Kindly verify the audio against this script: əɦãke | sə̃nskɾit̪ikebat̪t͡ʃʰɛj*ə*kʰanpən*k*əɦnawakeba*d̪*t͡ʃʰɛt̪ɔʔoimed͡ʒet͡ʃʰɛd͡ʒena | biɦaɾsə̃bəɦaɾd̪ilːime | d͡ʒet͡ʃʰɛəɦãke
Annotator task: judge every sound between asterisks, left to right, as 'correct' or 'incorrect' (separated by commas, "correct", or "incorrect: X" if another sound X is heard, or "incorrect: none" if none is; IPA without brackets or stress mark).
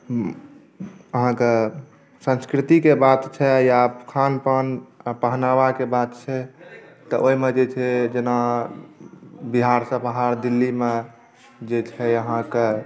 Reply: incorrect: a, incorrect: p, incorrect: t̪